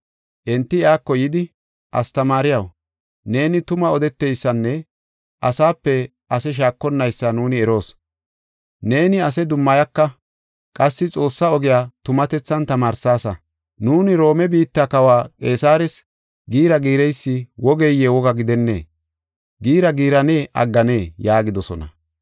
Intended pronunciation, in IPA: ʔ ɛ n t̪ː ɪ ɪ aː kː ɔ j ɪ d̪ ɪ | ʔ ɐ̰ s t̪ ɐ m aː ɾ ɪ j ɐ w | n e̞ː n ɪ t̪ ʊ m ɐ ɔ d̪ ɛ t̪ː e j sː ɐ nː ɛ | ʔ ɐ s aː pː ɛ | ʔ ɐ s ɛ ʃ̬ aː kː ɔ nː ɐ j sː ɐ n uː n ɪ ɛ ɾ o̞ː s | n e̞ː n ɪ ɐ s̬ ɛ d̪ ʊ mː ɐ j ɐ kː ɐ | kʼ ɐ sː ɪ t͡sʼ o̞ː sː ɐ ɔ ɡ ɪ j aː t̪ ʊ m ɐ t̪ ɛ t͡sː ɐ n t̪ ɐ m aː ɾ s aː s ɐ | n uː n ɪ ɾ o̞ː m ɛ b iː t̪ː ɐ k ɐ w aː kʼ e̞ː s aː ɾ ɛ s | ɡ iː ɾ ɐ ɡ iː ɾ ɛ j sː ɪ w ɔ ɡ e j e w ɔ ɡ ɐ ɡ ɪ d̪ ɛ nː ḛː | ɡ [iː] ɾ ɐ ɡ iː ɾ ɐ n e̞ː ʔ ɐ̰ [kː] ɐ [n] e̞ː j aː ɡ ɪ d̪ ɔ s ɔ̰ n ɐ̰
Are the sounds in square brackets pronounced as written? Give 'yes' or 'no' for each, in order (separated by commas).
yes, no, yes